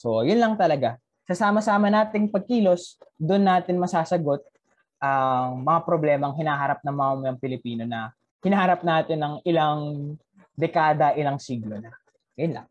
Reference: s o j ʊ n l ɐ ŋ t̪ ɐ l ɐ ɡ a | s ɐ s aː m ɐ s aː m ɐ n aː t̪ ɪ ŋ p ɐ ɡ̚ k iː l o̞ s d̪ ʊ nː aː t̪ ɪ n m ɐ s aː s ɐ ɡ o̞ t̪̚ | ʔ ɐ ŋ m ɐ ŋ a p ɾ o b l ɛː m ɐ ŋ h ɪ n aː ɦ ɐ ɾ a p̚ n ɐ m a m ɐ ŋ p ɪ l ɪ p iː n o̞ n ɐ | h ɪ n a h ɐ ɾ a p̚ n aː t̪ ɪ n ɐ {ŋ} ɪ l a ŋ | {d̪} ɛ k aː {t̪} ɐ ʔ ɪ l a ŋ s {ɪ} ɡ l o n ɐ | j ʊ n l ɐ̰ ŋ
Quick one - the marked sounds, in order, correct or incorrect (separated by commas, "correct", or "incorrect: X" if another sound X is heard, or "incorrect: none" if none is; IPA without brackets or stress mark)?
correct, correct, incorrect: d̪, incorrect: i